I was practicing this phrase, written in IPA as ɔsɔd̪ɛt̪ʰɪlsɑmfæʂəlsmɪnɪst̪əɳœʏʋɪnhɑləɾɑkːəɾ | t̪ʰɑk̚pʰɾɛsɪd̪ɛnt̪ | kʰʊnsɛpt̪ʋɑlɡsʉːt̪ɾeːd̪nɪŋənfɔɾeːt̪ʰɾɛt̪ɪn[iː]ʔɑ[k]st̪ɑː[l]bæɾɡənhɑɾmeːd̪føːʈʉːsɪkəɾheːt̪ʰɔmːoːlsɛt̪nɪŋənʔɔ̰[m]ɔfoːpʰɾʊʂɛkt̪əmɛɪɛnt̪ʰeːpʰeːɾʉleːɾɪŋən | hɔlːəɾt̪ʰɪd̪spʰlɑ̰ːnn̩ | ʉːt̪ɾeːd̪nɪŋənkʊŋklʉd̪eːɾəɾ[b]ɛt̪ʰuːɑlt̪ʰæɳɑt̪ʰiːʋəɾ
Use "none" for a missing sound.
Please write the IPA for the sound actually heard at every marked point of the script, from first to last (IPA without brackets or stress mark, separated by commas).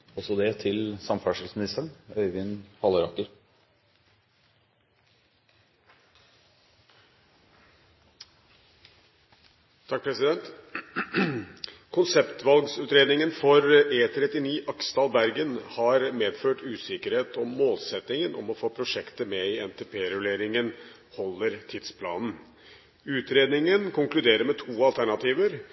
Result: iː, k, l, m, m